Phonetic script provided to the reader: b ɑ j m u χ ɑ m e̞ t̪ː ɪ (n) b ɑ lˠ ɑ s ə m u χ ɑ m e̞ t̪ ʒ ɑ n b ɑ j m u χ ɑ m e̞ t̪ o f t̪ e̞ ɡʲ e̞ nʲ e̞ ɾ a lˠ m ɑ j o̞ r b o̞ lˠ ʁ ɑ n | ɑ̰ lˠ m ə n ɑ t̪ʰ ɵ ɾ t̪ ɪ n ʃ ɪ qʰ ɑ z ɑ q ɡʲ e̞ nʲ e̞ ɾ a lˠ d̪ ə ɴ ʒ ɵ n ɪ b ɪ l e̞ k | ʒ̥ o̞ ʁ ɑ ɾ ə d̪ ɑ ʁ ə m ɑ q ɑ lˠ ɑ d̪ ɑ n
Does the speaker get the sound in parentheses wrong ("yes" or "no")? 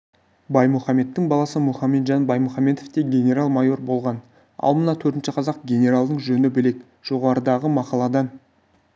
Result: yes